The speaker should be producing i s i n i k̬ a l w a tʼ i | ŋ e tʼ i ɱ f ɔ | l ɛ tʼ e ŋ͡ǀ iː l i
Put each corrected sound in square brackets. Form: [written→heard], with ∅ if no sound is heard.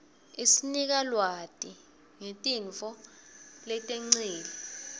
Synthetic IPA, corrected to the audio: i s i n i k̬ a l w a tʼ i | ŋ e tʼ i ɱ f ɔ | l ɛ tʼ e ŋ͡ǀ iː l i